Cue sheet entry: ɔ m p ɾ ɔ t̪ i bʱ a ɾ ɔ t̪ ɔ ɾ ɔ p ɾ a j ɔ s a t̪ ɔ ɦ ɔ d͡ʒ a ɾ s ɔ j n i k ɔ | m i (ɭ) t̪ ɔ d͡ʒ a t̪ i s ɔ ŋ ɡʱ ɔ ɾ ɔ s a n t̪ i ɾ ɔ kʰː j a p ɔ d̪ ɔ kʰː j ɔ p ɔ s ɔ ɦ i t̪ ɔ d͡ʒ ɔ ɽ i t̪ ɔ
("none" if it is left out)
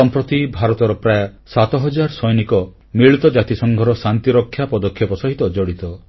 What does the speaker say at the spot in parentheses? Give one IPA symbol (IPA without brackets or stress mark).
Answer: ɭ